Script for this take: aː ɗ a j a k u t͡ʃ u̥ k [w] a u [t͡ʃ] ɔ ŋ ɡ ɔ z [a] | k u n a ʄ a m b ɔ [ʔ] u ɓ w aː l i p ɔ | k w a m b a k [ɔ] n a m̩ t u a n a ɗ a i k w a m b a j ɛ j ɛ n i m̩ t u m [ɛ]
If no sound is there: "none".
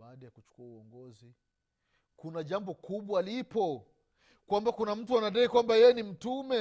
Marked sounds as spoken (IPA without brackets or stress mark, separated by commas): u, none, i, k, u, ɛ